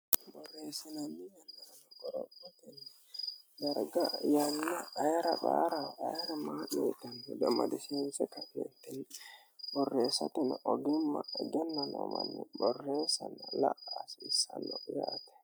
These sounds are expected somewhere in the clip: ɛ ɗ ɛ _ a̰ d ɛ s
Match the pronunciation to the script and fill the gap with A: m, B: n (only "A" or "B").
A